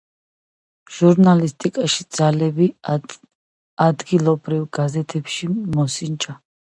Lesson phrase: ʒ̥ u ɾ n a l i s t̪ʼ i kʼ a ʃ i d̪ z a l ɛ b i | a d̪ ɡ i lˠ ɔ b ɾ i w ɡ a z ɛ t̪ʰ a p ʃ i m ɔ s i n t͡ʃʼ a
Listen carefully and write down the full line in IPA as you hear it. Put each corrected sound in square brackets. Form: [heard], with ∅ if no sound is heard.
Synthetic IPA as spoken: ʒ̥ u ɾ n a l i s t̪ʼ i kʼ a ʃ i d̪ z a l ɛ b i | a d̪ ɡ i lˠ ɔ b ɾ i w ɡ a z ɛ t̪ʰ [ɛ] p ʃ i m ɔ s i n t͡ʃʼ a